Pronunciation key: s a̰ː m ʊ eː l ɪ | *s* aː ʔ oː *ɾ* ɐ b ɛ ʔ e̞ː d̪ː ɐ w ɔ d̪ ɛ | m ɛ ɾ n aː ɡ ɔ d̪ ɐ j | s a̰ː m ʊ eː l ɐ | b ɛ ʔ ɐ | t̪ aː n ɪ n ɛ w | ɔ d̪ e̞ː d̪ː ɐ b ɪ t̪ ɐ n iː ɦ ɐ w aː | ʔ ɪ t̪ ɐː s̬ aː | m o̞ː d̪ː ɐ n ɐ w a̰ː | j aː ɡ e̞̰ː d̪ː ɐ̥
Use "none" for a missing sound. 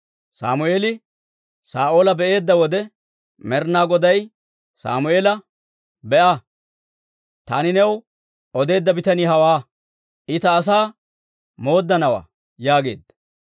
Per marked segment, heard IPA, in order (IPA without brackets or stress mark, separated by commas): s, l